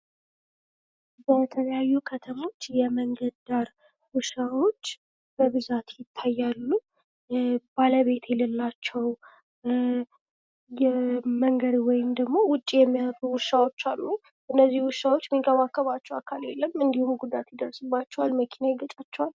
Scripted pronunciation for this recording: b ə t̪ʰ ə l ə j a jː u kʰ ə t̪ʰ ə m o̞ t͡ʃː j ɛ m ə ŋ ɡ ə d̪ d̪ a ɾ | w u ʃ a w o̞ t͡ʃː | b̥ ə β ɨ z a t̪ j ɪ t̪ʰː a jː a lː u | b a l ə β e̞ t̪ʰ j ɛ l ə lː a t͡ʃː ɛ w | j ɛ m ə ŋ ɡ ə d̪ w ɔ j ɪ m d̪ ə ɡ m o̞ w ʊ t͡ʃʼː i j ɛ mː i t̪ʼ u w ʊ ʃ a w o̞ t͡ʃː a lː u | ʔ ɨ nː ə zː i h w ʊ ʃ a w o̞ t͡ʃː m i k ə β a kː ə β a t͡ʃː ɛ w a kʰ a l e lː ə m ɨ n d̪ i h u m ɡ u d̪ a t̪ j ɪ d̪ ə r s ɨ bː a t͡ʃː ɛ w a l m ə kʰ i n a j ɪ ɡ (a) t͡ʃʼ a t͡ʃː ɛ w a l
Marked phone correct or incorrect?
incorrect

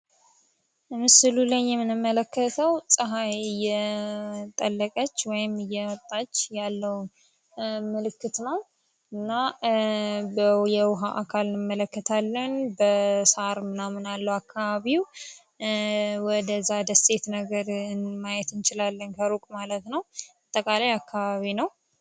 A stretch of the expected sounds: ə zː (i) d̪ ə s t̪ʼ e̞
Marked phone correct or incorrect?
incorrect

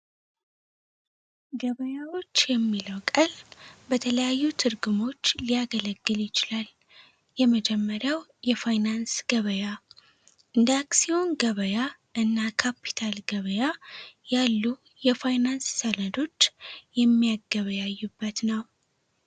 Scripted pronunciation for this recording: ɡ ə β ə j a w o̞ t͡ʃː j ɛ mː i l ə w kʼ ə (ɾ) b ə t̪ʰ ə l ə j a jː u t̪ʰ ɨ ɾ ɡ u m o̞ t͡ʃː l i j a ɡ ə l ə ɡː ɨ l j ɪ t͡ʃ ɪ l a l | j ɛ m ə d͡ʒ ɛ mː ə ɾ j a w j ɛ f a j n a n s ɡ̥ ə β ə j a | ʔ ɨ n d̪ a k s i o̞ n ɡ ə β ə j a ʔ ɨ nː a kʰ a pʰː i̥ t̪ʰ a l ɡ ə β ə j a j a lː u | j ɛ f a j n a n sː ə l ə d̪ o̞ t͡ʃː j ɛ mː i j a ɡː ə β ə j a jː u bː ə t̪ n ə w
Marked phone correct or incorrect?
incorrect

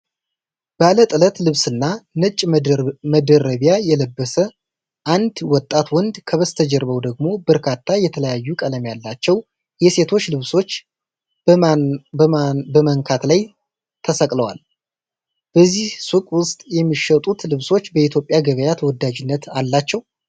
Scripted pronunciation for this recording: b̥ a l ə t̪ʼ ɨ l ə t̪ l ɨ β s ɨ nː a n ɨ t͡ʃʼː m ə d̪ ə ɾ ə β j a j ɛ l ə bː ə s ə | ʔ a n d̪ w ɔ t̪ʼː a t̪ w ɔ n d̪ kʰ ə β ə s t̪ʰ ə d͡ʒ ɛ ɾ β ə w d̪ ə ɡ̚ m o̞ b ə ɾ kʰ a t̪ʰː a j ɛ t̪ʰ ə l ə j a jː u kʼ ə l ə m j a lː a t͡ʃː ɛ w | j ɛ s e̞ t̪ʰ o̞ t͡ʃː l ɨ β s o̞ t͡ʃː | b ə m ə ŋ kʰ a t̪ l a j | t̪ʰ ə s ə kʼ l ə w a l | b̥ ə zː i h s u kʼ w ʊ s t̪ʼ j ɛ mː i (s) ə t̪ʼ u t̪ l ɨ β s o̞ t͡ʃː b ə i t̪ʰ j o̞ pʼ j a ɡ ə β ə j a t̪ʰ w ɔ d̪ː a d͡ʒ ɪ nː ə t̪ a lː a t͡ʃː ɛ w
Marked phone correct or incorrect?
incorrect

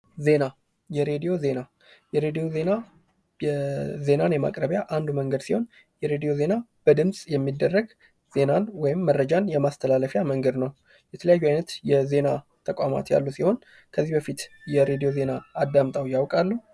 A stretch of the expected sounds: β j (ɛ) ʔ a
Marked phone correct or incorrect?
incorrect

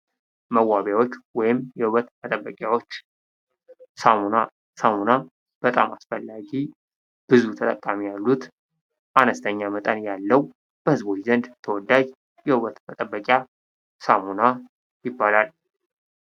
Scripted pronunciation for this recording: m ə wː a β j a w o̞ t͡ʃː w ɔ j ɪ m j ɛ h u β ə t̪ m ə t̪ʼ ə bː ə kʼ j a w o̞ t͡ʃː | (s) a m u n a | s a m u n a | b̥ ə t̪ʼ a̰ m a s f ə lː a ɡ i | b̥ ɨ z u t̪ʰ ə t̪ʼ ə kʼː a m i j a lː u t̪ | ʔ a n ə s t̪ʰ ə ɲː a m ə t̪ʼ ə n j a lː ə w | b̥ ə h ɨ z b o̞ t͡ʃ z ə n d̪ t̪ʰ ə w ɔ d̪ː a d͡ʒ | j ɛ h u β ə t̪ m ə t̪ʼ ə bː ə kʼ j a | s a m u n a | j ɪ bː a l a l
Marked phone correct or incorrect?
correct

